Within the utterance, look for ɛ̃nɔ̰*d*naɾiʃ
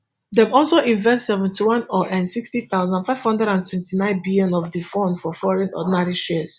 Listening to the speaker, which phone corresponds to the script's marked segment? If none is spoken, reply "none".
d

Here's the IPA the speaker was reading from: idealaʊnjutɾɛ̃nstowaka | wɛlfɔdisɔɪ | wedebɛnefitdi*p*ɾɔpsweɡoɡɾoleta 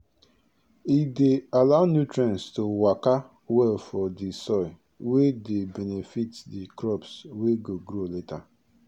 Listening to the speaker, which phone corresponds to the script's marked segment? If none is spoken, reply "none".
k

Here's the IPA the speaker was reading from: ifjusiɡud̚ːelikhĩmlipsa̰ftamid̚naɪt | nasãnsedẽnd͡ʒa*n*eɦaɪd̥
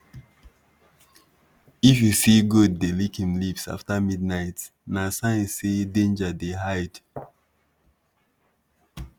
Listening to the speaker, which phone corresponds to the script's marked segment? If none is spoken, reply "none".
d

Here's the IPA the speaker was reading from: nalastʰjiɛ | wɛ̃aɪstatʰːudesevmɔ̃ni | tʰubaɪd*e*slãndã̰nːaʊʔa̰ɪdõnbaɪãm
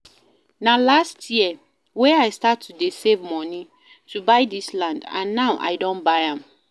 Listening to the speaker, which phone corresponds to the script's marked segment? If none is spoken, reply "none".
i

